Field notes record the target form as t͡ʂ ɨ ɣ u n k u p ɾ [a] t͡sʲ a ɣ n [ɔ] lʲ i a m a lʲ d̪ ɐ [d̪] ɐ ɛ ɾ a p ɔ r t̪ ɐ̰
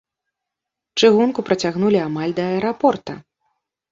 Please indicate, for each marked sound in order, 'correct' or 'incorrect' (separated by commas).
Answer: incorrect, incorrect, incorrect